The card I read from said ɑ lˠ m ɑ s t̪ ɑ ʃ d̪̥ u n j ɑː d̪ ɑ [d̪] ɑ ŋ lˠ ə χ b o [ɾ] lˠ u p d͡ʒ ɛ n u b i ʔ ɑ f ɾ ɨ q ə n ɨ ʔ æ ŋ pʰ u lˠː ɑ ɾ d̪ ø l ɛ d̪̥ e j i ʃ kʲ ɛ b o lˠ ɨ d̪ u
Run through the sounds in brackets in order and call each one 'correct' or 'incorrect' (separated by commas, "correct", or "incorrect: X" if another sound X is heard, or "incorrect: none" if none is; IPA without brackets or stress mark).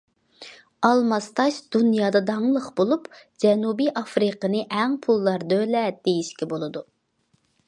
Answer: correct, incorrect: none